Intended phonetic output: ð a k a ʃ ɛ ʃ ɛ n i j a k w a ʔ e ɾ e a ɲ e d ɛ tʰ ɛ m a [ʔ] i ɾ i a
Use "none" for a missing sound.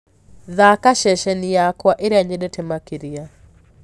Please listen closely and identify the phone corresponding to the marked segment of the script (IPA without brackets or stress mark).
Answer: k